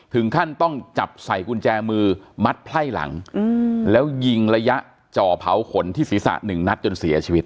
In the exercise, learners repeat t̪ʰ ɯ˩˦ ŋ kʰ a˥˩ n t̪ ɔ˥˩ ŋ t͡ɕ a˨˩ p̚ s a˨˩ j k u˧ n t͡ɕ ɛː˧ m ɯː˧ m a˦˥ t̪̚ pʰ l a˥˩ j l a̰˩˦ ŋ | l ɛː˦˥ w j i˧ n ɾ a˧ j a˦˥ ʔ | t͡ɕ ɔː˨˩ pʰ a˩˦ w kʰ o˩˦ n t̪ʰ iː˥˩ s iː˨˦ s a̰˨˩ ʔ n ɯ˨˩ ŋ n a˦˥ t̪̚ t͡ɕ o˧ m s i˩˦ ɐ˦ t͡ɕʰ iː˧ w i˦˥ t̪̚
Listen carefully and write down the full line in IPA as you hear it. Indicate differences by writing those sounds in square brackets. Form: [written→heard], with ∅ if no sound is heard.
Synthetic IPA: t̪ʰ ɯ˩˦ ŋ kʰ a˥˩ n t̪ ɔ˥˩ ŋ t͡ɕ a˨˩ p̚ s a˨˩ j k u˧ n t͡ɕ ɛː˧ m ɯː˧ m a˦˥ t̪̚ pʰ l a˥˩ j l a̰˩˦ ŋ | l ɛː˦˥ w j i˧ [n→ŋ] ɾ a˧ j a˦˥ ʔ | t͡ɕ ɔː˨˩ pʰ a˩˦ w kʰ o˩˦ n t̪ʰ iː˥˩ s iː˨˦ s a̰˨˩ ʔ n ɯ˨˩ ŋ n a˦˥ t̪̚ t͡ɕ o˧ [m→n] s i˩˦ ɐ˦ t͡ɕʰ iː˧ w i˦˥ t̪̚